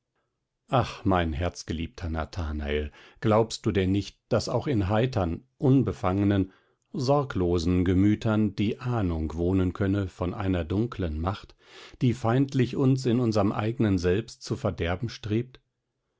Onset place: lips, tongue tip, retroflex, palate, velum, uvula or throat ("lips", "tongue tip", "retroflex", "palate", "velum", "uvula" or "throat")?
throat